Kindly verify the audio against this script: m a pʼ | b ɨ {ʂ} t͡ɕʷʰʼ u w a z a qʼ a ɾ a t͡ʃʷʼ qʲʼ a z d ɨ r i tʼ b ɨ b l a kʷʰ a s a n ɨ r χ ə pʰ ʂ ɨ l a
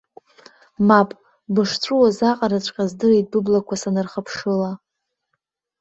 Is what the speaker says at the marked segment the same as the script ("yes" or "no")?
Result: yes